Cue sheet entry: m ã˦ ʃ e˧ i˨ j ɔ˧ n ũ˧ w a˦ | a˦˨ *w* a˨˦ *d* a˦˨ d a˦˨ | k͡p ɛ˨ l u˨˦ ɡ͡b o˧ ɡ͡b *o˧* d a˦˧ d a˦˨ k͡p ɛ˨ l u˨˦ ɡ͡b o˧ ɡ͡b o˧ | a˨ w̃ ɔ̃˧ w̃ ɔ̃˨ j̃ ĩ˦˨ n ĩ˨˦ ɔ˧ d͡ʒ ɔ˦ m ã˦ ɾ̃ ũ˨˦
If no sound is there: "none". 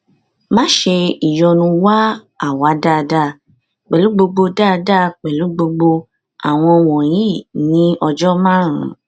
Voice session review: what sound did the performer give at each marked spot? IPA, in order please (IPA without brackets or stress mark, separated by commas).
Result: w, d, o˧